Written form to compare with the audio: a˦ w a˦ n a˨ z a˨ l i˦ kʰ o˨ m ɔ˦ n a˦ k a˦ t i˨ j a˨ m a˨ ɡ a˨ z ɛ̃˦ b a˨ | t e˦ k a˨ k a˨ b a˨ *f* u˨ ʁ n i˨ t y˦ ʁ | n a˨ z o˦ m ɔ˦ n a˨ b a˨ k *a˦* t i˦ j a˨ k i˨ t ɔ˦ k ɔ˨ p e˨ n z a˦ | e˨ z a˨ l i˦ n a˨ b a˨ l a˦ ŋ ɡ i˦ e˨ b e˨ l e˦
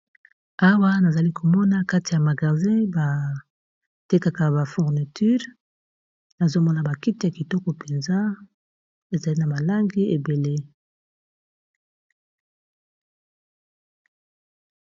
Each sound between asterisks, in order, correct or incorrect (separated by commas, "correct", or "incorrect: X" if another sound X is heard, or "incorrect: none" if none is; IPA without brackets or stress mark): correct, incorrect: i˦